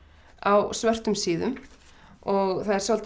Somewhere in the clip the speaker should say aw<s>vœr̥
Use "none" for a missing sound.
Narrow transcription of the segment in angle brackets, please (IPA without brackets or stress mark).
s